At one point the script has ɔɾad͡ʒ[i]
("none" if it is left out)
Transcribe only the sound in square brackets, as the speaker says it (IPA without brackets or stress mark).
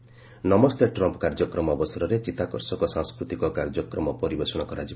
i